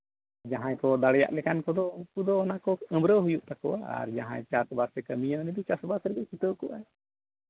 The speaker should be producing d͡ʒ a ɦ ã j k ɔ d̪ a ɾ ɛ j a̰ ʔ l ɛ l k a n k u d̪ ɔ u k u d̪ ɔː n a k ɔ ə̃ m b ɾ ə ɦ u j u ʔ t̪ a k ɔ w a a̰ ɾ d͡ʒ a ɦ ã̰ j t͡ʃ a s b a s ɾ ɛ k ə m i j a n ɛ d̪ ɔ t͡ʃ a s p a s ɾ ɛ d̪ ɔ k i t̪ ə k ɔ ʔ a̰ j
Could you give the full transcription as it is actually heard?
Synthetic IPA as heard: d͡ʒ a ɦ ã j k ɔ d̪ a ɽ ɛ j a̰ ʔ l ɛ k a n k ɔ d̪ ɔ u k u d̪ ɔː n a k ɔ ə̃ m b ɾ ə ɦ u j u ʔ t̪ a k ɔ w a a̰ ɾ d͡ʒ a ɦ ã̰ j t͡ʃ a s b a s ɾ ɛ k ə m i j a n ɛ d̪ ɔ t͡ʃ a s b a s ɾ ɛ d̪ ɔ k i t̪ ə k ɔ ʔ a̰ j